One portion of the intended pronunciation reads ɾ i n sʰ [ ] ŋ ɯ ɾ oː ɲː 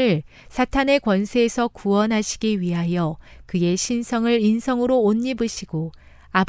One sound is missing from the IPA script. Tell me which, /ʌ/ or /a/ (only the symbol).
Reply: ʌ